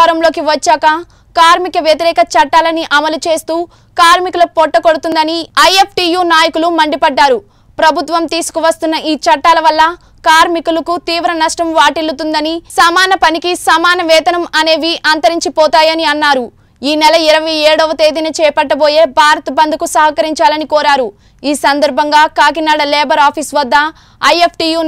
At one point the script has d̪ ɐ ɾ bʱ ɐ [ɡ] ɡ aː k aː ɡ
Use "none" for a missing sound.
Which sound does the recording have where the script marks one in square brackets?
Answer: ŋ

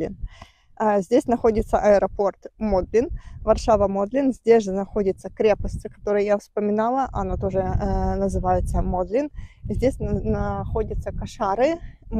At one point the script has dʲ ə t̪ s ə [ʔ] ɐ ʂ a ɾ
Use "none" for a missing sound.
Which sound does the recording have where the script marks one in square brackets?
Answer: k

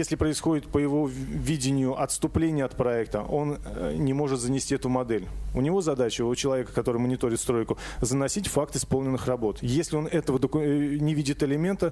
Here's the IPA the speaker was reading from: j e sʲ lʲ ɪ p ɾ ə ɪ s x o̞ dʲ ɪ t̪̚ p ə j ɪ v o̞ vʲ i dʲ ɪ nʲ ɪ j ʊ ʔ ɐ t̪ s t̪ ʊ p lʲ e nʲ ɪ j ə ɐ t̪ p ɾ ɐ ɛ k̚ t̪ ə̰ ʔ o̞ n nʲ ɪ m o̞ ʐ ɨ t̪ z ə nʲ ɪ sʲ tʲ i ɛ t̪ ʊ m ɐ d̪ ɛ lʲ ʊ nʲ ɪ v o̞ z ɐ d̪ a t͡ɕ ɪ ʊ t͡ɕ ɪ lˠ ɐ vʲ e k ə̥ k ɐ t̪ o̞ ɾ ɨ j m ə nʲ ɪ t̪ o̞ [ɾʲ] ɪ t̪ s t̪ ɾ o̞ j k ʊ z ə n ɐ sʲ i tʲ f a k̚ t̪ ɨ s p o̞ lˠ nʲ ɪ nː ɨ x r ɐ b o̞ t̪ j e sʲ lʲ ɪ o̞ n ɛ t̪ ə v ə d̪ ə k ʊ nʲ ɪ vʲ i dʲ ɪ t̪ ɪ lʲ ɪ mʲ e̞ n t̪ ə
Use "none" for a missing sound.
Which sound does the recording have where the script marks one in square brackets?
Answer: ɾʲ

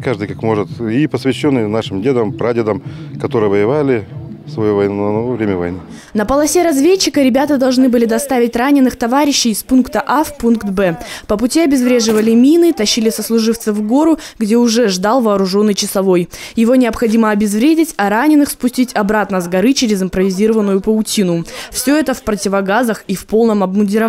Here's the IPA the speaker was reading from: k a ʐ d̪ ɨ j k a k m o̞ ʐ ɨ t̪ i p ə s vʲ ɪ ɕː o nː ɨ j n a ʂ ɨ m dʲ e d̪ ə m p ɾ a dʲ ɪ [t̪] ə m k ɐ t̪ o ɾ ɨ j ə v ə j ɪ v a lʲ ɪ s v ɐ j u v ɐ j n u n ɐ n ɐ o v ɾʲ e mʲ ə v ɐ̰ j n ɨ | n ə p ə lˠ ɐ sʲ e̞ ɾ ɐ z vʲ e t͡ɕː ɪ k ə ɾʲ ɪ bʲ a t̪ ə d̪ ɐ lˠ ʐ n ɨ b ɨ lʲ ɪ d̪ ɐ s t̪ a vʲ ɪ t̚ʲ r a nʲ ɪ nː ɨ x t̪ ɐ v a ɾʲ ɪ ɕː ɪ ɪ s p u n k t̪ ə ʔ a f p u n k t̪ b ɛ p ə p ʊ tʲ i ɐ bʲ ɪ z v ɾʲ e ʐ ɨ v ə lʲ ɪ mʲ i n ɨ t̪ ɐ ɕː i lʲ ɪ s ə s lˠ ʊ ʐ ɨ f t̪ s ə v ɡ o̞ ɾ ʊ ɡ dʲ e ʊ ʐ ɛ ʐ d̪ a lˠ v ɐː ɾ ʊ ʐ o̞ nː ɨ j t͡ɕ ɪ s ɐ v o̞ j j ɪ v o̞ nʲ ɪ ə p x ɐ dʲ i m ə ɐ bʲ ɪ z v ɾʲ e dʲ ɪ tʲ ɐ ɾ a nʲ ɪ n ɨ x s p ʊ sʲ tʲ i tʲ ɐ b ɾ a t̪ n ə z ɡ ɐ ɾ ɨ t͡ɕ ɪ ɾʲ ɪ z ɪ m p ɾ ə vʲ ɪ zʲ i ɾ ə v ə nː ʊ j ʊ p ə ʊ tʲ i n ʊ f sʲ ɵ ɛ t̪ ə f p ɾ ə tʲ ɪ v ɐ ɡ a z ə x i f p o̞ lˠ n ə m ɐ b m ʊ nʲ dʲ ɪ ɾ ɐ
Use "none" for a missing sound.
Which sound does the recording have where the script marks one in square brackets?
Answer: d̪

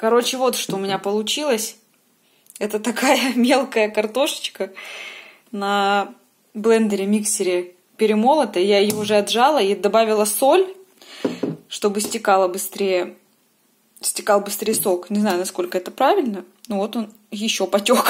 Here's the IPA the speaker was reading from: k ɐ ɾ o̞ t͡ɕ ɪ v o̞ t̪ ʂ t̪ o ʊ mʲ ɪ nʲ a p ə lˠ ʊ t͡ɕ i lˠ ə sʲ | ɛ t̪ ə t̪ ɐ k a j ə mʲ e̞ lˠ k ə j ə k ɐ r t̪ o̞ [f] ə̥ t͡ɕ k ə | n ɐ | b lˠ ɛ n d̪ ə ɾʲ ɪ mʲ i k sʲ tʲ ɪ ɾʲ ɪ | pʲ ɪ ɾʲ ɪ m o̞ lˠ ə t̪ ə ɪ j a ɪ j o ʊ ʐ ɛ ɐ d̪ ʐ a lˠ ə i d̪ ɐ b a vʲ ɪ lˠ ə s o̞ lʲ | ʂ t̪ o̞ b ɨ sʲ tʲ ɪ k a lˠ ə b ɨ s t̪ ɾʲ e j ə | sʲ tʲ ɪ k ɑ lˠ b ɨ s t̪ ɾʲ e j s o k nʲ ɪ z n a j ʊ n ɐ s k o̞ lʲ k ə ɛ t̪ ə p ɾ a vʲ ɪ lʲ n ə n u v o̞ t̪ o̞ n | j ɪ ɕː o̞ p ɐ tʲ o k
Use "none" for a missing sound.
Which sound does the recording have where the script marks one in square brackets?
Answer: ʂ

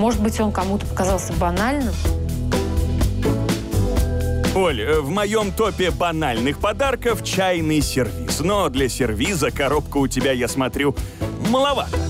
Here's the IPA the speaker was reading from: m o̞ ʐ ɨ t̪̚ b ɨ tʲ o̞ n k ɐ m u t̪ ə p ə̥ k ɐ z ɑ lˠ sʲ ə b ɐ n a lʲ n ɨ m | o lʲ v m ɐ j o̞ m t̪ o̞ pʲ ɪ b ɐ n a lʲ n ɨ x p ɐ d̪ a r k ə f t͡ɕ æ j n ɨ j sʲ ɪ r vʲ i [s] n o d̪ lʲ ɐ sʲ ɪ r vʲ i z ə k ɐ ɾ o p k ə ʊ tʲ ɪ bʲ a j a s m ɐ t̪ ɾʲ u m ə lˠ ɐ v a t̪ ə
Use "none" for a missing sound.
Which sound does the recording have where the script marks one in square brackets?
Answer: s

